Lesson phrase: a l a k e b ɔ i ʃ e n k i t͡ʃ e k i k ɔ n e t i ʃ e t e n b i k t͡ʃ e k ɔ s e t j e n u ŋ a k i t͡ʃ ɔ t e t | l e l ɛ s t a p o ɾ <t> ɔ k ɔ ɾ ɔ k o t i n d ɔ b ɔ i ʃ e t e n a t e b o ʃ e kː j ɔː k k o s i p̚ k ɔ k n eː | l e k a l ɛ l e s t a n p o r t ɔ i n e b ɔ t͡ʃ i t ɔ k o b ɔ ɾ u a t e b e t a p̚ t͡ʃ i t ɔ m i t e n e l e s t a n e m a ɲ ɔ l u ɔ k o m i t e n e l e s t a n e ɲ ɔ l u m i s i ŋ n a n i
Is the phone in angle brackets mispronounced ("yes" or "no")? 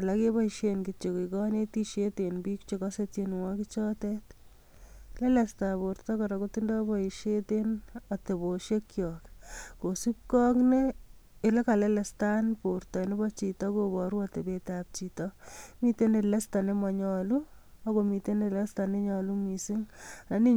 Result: no